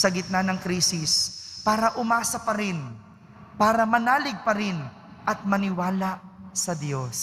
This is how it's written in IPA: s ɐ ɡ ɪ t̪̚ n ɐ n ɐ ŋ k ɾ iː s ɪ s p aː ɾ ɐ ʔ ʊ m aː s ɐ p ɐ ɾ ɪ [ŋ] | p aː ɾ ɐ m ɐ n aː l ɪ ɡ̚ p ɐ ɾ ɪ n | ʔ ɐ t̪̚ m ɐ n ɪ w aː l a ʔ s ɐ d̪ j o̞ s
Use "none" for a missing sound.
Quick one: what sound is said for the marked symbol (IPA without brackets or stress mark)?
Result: n